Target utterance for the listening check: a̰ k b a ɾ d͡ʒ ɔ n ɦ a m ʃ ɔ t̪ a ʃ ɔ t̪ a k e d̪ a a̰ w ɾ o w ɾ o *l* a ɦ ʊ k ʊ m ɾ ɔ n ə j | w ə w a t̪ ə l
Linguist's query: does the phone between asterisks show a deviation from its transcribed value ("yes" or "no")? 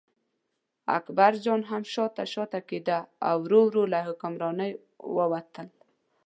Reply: no